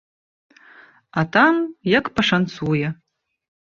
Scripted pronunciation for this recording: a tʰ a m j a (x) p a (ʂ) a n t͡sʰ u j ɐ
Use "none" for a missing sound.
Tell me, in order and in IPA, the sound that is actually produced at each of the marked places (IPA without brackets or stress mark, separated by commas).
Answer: k, ʂ